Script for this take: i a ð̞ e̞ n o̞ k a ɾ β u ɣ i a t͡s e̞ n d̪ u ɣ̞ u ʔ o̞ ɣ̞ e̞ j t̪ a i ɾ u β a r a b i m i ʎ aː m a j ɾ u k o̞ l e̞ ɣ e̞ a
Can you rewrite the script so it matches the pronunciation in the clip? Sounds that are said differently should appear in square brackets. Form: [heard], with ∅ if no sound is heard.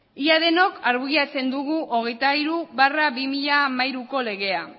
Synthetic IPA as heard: i a ð̞ e̞ n o̞ k a ɾ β u ɣ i a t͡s e̞ n d̪ u ɣ̞ u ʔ o̞ ɣ̞ e̞ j t̪ a i ɾ u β a r a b i m i ʎ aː m a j ɾ u k o̞ l e̞ ɣ e̞ a